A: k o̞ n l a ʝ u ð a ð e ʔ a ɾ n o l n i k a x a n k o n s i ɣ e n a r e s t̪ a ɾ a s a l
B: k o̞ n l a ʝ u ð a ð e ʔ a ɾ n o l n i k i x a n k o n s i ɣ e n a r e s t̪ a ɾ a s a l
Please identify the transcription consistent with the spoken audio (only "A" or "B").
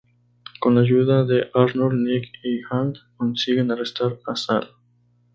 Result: B